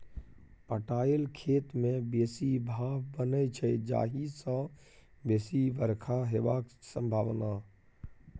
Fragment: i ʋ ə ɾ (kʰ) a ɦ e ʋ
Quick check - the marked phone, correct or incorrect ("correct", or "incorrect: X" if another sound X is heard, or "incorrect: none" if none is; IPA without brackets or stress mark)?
correct